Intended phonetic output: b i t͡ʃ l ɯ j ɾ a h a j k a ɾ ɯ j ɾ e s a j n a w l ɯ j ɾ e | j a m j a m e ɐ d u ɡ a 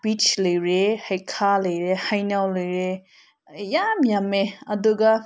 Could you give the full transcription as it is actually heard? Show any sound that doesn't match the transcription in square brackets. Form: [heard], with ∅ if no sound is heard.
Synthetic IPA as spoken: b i t͡ʃ l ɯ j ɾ [e] h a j [kʰ] a [l] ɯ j ɾ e [h] a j n a w l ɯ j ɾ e | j a m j a m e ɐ d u ɡ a